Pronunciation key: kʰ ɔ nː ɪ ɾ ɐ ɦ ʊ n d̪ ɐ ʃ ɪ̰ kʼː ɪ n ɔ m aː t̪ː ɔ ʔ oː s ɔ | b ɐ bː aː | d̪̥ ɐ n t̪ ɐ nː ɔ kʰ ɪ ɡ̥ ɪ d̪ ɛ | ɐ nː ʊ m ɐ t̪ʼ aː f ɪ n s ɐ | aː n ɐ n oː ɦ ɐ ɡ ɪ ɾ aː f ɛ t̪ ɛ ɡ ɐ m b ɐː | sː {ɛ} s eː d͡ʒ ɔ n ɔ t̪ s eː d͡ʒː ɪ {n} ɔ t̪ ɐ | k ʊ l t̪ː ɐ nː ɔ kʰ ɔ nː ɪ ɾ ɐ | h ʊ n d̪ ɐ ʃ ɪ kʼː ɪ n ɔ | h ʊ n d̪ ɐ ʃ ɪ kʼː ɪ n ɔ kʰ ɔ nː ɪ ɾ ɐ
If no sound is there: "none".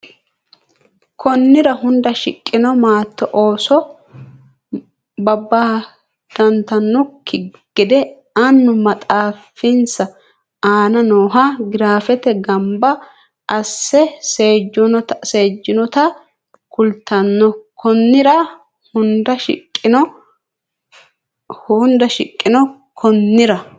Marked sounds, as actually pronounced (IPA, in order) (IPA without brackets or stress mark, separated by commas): ɛ, n